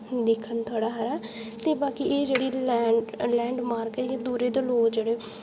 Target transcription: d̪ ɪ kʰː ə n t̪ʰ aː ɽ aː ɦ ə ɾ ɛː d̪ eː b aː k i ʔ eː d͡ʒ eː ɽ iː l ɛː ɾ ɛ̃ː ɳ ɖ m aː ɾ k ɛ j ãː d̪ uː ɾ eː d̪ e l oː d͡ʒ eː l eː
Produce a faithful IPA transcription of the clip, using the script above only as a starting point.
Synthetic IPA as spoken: d̪ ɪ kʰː ə n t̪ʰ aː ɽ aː ɦ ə ɾ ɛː t̪ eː b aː k i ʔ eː d͡ʒ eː ɽ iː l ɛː l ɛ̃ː ɳ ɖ m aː ɾ k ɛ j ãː d̪ uː ɾ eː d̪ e l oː d͡ʒ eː ɽ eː